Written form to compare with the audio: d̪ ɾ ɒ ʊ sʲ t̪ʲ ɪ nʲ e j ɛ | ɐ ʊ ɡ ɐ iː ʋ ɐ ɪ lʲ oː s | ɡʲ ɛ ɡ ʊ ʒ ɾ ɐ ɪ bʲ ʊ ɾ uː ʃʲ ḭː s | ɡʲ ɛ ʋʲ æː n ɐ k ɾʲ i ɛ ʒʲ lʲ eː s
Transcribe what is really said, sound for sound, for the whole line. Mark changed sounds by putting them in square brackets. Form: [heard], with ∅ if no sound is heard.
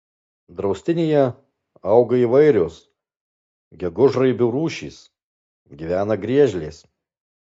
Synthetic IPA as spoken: d̪ ɾ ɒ ʊ sʲ t̪ʲ ɪ nʲ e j ɛ | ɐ ʊ ɡ ɐ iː ʋ ɐ ɪ [ɾʲ] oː s | ɡʲ ɛ ɡ ʊ ʒ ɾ ɐ ɪ bʲ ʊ ɾ uː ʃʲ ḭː s | ɡʲ [i] ʋʲ æː n ɐ [ɡ] ɾʲ i ɛ ʒʲ lʲ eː s